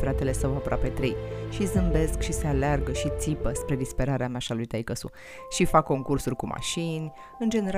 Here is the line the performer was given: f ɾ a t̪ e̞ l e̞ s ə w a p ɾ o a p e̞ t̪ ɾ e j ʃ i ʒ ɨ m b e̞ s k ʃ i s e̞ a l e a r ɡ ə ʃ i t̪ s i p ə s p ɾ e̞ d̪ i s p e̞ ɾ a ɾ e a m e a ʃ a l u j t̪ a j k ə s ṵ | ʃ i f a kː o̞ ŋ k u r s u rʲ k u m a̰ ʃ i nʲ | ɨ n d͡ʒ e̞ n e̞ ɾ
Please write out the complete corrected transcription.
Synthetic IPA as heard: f ɾ a t̪ e̞ l e̞ s ə w a p ɾ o a p e̞ t̪ ɾ e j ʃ i z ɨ m b e̞ s k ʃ i s e̞ a l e a r ɡ ə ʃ i t̪ s i p ə s p ɾ e̞ d̪ i s p e̞ ɾ a ɾ e a m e a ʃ a l u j t̪ a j k ə s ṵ | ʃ i f a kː o̞ ŋ k u r s u rʲ k u m a̰ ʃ i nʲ | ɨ n d͡ʒ e̞ n e̞ ɾ